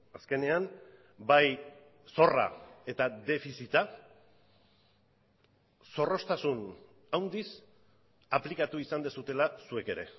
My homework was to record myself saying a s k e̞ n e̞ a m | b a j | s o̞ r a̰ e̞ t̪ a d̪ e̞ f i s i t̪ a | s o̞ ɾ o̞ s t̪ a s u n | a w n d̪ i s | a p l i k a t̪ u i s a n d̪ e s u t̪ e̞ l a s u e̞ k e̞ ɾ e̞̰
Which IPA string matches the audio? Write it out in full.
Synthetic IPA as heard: a s k e̞ n e̞ a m | b a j | s o̞ r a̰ e̞ t̪ a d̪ e̞ f i s i t̪ a | s o̞ r o̞ s t̪ a s u n | a w n d̪ i s | a p l i k a t̪ u i s a n d̪ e s u t̪ e̞ l a s u e̞ k e̞ ɾ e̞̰